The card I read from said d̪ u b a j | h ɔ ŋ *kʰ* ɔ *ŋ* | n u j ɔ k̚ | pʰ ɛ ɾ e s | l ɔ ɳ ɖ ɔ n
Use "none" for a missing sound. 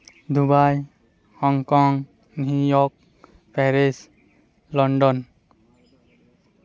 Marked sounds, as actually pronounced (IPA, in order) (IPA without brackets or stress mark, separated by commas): k, ŋ